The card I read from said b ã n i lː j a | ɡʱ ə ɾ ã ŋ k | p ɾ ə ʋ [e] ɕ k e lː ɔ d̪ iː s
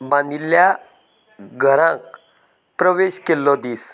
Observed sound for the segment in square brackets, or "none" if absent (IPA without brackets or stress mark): e